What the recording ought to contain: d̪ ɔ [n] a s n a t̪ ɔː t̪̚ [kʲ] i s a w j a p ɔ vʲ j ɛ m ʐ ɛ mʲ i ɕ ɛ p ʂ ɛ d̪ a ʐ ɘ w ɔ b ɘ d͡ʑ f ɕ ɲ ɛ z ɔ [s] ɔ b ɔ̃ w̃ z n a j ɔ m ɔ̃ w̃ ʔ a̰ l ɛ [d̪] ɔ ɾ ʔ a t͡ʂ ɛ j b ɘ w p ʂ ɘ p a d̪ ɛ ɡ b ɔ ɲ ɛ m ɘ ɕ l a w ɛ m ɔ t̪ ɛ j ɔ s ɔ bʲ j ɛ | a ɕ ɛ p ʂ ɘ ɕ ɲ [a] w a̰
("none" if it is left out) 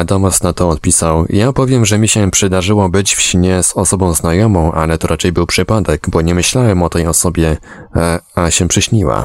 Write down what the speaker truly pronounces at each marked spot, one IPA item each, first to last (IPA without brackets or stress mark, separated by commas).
m, pʲ, s, t̪, i